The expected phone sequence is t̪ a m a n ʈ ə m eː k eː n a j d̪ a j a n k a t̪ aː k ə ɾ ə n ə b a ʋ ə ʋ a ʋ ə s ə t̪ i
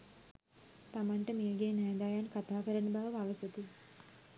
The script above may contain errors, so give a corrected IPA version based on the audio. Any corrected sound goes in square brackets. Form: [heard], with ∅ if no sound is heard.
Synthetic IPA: t̪ a m a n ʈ ə m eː [ɡ] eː n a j d̪ a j a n k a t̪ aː k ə ɾ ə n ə b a ʋ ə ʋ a ʋ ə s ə t̪ i